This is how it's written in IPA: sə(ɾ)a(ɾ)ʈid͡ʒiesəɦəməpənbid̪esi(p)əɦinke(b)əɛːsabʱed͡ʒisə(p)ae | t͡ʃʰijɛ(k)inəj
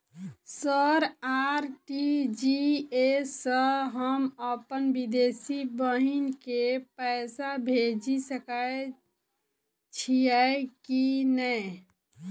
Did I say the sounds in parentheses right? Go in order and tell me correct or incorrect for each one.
correct, correct, incorrect: b, incorrect: p, incorrect: k, correct

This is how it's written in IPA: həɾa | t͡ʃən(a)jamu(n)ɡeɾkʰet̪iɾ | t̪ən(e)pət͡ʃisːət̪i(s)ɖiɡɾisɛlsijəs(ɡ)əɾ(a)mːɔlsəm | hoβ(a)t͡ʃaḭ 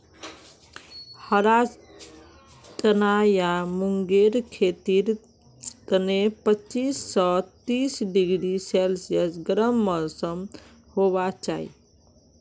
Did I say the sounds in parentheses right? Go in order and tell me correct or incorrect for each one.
correct, incorrect: ŋ, correct, correct, correct, incorrect: ə, correct

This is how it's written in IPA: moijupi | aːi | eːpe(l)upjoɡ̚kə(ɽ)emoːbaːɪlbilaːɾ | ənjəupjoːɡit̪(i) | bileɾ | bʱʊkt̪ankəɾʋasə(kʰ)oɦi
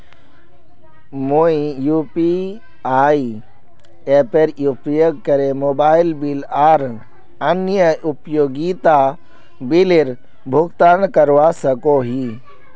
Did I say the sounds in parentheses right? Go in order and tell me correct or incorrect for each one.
incorrect: ɾ, incorrect: ɾ, incorrect: a, incorrect: k

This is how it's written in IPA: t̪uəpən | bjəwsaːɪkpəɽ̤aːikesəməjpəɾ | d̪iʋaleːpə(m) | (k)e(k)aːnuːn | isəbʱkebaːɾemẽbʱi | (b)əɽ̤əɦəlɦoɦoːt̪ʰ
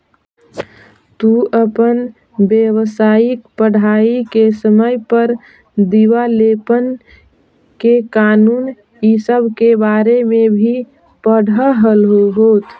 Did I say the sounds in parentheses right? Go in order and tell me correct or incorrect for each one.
incorrect: n, correct, correct, incorrect: p

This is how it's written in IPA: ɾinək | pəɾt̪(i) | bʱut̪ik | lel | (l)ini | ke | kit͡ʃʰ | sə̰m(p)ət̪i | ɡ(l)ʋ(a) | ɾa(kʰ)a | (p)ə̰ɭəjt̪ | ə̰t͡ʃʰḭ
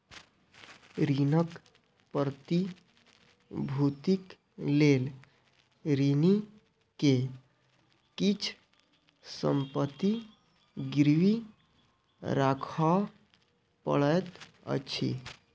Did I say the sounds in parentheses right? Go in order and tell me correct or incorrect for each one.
correct, incorrect: ɾ, correct, incorrect: ɾ, incorrect: i, correct, correct

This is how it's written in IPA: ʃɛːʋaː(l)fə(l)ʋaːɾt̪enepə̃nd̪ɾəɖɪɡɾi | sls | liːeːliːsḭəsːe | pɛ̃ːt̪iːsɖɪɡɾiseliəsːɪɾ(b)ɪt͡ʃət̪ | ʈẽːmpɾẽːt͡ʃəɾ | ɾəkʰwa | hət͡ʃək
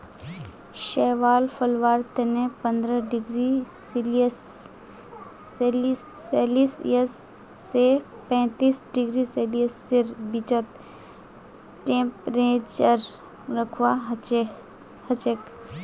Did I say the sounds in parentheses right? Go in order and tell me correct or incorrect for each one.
correct, correct, correct

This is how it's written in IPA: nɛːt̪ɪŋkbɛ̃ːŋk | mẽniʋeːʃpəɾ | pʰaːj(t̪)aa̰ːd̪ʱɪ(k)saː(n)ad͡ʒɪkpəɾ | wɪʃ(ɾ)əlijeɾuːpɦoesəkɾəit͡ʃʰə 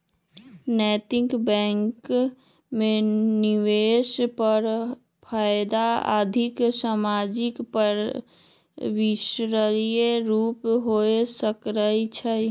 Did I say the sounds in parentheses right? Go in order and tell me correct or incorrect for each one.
incorrect: d̪, correct, incorrect: m, correct

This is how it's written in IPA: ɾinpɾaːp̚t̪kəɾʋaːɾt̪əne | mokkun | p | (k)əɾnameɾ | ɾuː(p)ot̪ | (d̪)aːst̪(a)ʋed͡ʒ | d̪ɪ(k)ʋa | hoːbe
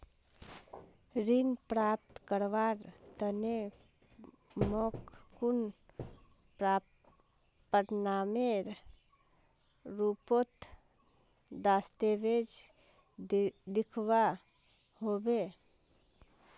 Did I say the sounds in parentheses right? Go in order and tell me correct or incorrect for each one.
incorrect: p, correct, correct, incorrect: e, incorrect: kʰ

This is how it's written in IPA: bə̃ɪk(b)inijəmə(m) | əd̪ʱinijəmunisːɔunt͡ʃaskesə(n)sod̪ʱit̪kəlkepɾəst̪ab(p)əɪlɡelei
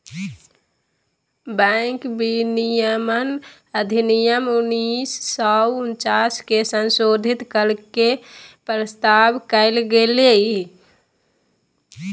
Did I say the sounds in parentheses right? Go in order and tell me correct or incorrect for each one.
correct, incorrect: n, correct, incorrect: k

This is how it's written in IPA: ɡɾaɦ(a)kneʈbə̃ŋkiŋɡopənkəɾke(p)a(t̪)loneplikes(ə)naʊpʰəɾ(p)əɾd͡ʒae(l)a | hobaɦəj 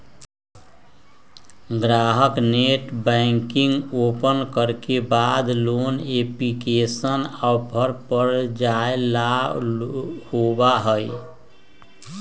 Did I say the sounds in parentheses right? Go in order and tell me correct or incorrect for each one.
incorrect: ə, incorrect: b, incorrect: d̪, correct, correct, correct

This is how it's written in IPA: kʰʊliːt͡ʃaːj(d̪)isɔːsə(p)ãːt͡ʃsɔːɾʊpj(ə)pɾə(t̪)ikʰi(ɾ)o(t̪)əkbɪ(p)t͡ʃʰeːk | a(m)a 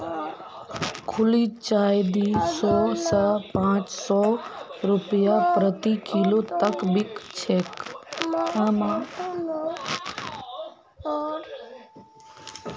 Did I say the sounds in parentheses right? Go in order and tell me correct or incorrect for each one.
correct, correct, incorrect: a, correct, incorrect: l, correct, incorrect: k, correct

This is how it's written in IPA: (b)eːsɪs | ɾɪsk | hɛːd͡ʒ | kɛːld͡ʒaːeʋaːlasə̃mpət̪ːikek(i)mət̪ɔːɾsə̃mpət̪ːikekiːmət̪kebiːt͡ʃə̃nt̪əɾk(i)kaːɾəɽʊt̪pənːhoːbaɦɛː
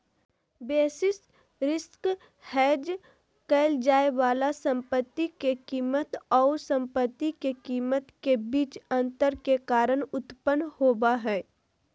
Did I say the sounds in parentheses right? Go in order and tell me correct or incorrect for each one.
correct, incorrect: iː, incorrect: e

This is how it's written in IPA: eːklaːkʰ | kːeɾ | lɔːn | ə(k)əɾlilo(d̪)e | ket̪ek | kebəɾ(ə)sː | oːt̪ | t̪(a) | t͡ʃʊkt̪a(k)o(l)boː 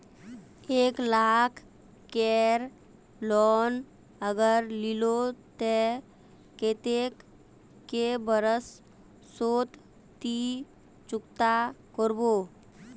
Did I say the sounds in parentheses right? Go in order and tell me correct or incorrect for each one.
incorrect: ɡ, incorrect: t̪, correct, incorrect: i, correct, incorrect: ɾ

